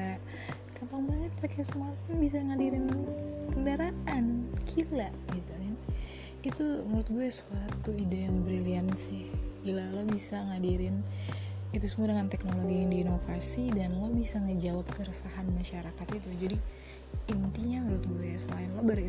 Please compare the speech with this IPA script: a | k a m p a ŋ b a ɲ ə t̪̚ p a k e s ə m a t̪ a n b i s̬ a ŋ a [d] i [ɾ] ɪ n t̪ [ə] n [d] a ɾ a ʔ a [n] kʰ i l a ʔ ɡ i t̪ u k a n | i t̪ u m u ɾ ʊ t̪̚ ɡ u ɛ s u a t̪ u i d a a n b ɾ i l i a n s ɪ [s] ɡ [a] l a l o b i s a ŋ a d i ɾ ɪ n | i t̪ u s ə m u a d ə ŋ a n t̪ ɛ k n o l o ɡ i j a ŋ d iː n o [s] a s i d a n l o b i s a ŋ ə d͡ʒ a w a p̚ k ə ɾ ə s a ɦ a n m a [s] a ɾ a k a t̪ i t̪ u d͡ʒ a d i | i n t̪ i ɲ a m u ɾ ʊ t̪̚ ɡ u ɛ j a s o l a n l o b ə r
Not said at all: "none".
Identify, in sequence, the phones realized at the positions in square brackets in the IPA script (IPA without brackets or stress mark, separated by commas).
d, ɾ, ə, d, n, h, i, f, ʃ